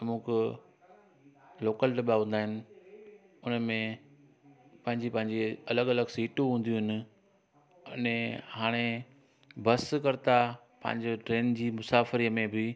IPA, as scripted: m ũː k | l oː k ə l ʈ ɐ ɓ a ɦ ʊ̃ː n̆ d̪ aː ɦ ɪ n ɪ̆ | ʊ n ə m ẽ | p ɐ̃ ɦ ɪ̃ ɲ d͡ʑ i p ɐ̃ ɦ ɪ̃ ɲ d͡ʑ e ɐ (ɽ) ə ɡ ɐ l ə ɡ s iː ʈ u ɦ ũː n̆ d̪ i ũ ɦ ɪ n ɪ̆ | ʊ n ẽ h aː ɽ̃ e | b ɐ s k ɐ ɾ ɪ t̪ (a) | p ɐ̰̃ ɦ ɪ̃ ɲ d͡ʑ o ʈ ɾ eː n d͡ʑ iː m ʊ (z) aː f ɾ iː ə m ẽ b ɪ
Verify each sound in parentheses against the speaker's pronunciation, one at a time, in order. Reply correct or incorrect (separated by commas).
incorrect, correct, incorrect